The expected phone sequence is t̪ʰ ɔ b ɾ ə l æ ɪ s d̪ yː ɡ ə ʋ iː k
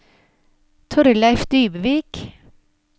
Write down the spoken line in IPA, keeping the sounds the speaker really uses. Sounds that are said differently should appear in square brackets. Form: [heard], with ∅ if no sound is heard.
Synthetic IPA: t̪ʰ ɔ [∅] ɾ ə l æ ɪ [f] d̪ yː [b] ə ʋ iː k